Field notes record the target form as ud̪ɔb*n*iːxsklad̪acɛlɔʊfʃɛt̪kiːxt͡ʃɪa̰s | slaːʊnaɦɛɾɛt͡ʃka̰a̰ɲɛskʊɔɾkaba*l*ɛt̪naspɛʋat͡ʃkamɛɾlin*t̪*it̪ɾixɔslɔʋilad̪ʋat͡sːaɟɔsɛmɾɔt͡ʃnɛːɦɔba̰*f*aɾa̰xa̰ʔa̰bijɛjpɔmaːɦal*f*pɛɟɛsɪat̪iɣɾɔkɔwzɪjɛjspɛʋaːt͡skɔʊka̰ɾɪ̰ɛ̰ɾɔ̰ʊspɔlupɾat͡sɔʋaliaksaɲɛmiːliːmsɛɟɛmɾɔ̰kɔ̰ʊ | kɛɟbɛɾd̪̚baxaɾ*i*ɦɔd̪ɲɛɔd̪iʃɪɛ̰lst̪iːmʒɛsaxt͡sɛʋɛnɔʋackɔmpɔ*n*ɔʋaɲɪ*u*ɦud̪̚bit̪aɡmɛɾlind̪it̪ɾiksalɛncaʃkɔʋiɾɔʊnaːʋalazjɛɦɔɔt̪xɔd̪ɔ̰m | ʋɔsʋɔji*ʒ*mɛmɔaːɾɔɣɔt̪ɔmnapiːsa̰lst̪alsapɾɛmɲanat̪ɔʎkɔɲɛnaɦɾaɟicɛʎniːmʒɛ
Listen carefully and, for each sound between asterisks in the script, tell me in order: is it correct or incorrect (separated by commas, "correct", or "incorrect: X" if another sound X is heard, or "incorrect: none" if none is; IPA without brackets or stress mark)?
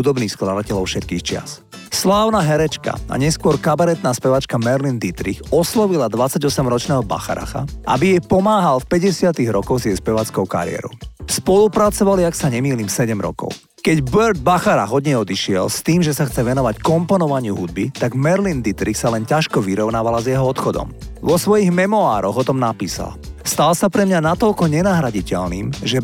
correct, incorrect: ɾ, incorrect: d̪, incorrect: x, correct, incorrect: a, correct, correct, incorrect: ɣ